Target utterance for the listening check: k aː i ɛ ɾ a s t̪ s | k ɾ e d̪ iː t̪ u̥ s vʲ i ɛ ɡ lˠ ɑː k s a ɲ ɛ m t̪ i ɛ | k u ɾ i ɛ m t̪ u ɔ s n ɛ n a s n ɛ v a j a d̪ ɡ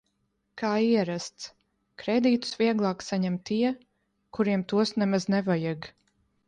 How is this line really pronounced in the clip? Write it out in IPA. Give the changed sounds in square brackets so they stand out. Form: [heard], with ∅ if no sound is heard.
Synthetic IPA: k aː i ɛ ɾ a s t̪ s | k ɾ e d̪ iː t̪ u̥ s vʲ i ɛ ɡ lˠ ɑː k s a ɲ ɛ m t̪ i ɛ | k u ɾ i ɛ m t̪ u ɔ s n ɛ [m] a [z] n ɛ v a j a [∅] ɡ